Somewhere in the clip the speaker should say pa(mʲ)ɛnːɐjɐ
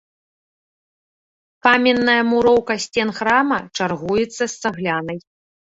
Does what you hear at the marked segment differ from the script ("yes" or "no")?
no